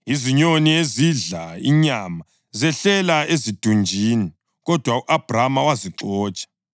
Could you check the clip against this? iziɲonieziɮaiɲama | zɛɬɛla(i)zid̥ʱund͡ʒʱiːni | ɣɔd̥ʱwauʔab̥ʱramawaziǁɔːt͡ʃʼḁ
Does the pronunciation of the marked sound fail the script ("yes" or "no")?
yes